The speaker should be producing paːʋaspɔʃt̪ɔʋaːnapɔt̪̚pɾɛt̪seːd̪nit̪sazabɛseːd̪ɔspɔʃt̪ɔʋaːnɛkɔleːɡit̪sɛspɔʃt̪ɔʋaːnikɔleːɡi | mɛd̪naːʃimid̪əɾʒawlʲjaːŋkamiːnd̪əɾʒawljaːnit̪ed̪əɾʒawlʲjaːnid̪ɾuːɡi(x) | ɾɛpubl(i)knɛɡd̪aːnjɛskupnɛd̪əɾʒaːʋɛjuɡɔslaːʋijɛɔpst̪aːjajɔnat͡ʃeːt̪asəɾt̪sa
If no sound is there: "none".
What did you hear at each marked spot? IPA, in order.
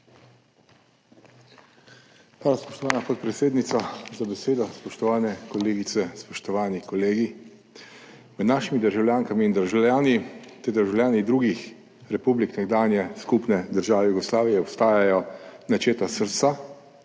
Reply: x, i

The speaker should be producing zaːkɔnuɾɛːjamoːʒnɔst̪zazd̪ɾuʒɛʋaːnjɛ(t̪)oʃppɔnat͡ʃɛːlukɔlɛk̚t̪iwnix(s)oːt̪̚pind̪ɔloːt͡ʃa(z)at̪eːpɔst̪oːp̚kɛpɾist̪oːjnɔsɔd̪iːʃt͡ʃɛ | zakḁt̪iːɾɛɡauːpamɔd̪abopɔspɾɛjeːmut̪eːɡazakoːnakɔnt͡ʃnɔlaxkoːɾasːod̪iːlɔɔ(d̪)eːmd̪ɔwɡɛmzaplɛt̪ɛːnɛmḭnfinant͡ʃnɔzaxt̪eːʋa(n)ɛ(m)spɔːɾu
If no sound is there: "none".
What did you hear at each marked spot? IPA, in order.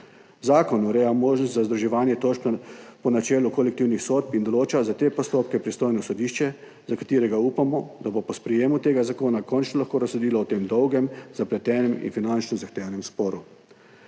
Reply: t̪, s, z, t̪, n, m

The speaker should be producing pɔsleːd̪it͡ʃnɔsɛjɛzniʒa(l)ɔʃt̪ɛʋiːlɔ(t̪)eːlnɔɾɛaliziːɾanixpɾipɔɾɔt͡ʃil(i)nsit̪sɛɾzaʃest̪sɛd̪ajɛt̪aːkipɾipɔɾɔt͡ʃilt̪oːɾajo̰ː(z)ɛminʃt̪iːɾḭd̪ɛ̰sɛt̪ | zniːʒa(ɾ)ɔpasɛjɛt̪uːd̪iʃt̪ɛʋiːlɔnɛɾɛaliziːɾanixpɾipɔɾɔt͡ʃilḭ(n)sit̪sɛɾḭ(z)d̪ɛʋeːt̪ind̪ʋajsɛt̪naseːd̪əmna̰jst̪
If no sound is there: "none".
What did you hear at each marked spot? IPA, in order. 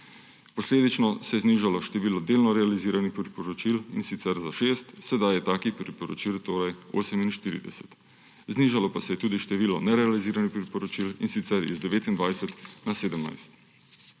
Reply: l, d̪, i, s, l, n, z

